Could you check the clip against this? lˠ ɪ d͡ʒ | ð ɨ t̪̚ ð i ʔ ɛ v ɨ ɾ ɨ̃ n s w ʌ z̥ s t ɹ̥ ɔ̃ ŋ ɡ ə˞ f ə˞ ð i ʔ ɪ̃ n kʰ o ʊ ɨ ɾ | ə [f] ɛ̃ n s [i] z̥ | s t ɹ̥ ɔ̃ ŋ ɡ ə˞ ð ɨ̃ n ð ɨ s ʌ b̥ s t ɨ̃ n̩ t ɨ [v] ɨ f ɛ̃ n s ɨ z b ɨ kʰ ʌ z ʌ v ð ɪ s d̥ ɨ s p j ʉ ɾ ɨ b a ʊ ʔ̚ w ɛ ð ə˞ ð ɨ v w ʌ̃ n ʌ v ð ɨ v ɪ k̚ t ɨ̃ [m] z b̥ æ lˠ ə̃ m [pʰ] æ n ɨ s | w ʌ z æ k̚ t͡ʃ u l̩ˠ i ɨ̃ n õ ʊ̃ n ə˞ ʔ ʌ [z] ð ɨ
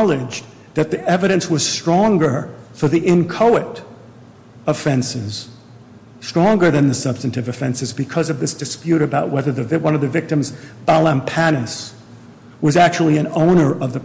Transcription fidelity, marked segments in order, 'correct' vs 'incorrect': correct, incorrect: ɪ, correct, correct, correct, incorrect: v

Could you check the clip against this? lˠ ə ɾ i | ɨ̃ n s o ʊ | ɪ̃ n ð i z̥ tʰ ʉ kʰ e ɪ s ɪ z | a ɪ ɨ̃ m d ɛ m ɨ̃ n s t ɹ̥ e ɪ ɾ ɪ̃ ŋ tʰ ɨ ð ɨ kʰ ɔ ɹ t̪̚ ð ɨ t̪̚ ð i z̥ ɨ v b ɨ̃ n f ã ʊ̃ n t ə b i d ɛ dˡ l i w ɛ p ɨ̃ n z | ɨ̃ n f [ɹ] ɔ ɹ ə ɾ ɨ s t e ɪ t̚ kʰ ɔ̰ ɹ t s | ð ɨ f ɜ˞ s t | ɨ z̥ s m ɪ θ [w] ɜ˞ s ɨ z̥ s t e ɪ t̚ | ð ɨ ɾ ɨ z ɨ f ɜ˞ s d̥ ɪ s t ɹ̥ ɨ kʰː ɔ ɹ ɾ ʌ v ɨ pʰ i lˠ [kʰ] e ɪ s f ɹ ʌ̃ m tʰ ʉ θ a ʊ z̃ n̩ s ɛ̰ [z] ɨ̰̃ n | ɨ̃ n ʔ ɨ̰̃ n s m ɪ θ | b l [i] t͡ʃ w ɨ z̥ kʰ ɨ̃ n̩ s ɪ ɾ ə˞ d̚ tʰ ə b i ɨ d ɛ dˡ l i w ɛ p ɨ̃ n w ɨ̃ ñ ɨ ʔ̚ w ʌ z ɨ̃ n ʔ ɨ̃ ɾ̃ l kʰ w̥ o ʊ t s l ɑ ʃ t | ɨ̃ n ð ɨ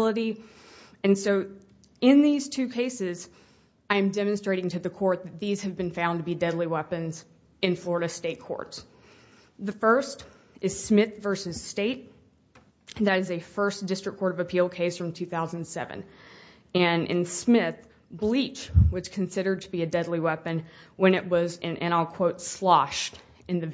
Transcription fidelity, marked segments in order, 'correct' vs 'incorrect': incorrect: l, incorrect: v, correct, incorrect: v, correct

